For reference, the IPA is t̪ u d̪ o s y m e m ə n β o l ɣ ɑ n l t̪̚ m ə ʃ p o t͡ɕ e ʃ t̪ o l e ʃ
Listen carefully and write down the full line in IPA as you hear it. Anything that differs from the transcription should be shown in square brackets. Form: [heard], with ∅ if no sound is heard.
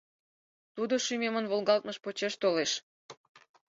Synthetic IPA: t̪ u d̪ o [ʃ] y m e m ə n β o l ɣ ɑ [∅] l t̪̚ m ə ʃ p o t͡ɕ e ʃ t̪ o l e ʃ